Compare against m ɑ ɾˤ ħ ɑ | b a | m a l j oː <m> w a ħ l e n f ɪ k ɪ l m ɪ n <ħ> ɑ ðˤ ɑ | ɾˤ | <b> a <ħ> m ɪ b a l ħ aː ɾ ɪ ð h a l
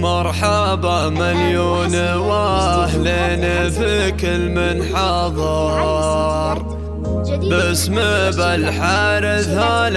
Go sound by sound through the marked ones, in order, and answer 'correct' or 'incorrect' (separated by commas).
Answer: incorrect, correct, correct, incorrect